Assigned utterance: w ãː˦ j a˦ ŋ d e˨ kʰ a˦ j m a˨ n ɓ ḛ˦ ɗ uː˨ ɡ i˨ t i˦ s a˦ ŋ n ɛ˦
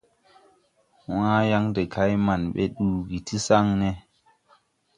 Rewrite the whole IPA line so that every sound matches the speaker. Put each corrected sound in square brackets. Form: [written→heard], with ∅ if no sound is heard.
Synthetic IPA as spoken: w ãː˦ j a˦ ŋ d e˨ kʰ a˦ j m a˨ n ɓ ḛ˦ ɗ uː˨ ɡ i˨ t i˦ s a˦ ŋ n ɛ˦